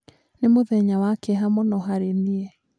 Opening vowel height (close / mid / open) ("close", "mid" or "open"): mid